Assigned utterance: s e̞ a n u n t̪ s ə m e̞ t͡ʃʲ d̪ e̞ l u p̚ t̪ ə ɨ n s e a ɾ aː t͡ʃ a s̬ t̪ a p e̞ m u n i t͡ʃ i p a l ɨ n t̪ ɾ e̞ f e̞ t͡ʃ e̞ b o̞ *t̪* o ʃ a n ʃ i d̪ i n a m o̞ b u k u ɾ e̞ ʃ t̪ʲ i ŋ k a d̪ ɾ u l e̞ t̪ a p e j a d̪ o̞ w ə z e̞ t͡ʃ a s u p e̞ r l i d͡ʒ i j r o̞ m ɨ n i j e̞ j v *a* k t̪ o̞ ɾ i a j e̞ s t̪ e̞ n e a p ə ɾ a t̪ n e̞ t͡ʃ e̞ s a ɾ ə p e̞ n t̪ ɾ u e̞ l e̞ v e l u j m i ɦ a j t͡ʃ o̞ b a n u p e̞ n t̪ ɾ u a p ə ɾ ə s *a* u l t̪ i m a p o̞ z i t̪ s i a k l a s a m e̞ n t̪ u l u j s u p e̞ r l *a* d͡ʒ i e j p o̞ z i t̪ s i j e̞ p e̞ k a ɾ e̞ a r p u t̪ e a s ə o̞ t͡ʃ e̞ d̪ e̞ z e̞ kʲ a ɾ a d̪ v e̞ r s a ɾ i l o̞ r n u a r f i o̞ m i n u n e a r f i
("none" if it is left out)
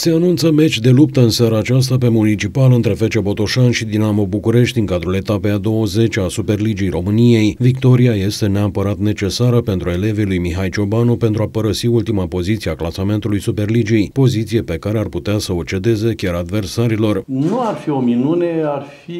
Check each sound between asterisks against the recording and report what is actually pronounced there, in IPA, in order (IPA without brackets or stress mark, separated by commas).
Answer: t̪, i, i, i